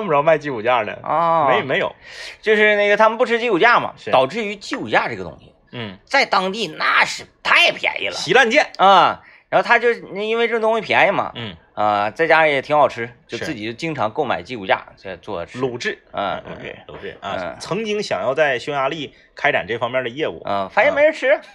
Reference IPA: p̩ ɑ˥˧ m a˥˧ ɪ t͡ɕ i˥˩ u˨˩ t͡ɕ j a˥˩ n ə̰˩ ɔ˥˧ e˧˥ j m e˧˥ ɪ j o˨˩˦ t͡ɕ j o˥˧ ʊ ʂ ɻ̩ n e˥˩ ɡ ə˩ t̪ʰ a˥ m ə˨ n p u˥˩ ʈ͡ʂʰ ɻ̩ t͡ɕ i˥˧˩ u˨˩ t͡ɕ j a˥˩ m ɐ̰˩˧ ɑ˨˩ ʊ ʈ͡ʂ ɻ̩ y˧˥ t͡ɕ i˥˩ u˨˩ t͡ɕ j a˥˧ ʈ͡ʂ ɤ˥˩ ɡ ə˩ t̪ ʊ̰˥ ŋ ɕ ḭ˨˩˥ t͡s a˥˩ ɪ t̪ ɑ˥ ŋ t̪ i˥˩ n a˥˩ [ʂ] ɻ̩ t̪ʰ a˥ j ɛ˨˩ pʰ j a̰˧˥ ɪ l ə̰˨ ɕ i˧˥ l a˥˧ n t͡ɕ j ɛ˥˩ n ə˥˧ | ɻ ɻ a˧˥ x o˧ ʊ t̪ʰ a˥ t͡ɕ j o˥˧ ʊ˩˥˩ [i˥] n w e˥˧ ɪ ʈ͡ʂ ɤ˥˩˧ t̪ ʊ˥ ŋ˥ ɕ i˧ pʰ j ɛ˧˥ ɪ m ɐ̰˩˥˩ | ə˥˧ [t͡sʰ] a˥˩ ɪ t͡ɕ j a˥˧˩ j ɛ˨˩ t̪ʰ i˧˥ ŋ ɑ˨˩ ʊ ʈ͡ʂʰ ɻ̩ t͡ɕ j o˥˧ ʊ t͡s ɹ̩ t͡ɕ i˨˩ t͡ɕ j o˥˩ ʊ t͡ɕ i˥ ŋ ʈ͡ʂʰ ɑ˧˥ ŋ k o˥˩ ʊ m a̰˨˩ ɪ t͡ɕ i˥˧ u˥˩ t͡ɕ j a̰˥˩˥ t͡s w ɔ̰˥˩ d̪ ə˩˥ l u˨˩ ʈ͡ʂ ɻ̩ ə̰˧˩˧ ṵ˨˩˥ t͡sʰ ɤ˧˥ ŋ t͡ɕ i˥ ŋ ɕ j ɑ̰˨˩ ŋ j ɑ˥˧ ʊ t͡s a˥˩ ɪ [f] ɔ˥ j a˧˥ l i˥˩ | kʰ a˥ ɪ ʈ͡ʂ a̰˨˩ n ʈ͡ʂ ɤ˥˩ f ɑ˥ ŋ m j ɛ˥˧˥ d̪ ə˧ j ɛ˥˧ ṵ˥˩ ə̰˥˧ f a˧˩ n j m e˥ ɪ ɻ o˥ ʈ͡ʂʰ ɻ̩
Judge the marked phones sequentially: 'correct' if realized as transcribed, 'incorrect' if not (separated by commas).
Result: correct, correct, incorrect, incorrect